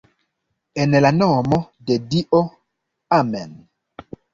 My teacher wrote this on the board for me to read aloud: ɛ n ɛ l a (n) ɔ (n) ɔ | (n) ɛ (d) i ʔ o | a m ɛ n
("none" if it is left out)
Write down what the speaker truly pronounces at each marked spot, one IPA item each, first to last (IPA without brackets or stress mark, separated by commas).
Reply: n, m, d, d